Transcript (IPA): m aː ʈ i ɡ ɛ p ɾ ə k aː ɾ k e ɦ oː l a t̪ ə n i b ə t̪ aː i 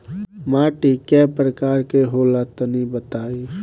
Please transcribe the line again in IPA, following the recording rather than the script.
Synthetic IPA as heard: m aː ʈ i k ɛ p ɾ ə k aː ɾ k e ɦ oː l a t̪ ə n i b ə t̪ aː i